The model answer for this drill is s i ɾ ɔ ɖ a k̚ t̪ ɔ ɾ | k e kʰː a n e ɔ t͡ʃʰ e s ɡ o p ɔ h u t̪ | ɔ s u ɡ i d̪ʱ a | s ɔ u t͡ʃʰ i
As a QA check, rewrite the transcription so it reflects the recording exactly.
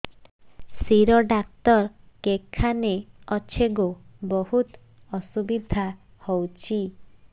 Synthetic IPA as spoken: s i ɾ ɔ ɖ a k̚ t̪ ɔ ɾ | k e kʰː a n e ɔ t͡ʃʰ e ɡ o b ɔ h u t̪ | ɔ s u b i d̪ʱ a | h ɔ w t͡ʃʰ i